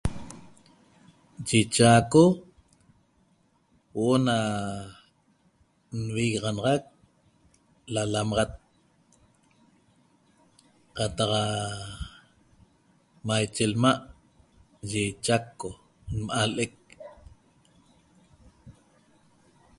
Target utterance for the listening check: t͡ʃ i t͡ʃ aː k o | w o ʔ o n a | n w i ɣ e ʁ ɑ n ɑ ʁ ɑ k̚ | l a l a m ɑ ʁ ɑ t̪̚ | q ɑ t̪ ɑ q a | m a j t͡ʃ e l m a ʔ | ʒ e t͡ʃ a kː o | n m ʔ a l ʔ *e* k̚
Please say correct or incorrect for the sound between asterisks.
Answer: correct